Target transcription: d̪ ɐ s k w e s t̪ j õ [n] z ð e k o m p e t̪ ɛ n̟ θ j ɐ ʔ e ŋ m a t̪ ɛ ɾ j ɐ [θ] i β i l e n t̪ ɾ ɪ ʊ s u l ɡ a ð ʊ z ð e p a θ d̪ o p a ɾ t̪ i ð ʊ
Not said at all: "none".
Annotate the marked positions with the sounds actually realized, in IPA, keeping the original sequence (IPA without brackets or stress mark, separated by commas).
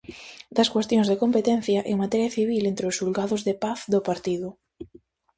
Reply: ŋ, θ